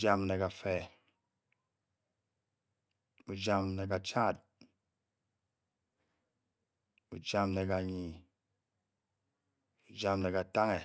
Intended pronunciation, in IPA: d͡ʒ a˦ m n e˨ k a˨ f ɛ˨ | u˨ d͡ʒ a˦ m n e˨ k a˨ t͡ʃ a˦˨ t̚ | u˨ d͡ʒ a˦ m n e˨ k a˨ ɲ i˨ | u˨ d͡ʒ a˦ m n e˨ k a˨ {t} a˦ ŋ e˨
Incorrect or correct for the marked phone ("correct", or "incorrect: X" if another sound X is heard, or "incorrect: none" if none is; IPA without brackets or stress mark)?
correct